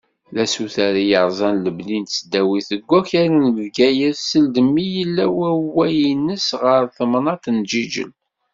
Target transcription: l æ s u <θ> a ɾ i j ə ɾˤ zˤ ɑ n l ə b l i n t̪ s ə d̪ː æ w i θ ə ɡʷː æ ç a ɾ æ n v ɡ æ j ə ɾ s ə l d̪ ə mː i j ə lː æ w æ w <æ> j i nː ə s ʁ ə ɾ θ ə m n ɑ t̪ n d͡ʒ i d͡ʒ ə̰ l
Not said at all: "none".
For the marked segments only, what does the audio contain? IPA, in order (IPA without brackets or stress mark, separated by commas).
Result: θ, æ